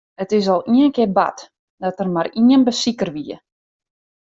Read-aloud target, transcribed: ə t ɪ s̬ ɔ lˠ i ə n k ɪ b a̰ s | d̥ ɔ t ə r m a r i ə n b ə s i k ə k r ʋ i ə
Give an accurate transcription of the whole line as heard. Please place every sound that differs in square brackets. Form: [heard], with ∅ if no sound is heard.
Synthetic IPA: ə t ɪ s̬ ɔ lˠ i ə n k ɪ b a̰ [t] | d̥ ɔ t ə r m a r i ə n b ə s i k ə [∅] r ʋ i ə